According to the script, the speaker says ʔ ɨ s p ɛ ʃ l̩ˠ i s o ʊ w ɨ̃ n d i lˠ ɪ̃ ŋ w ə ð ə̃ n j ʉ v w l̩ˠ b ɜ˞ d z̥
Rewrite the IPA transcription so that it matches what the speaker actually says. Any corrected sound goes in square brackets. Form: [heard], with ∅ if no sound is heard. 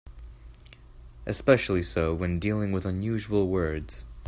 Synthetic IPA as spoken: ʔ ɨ s p ɛ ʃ l̩ˠ i s o ʊ w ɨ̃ n d i lˠ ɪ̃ ŋ w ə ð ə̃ n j ʉ [ʒ] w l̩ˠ [w] ɜ˞ d z̥